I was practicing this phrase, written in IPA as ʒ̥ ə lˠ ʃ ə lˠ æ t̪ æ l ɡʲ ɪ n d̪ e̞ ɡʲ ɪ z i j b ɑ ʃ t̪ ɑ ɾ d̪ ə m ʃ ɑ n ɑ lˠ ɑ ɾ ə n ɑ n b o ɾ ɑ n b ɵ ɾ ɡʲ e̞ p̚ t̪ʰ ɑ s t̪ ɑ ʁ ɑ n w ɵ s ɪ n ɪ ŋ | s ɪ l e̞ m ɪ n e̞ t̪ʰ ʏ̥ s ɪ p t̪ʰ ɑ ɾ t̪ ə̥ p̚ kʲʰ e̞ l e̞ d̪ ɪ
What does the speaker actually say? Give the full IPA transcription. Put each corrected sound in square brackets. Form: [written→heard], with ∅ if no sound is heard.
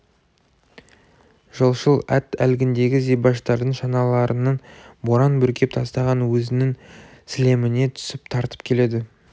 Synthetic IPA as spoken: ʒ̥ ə lˠ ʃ ə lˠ æ t̪ æ l ɡʲ ɪ n d̪ e̞ ɡʲ ɪ z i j b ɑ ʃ t̪ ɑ ɾ d̪ ə [m→ɴ] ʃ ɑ n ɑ lˠ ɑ ɾ ə n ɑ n b o ɾ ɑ n b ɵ ɾ [ɡʲ→kʲ] e̞ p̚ t̪ʰ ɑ s t̪ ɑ ʁ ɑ n w ɵ [s→z] ɪ n ɪ ŋ | s ɪ l e̞ m ɪ n e̞ t̪ʰ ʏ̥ s ɪ p t̪ʰ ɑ ɾ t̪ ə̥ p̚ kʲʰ e̞ l e̞ d̪ ɪ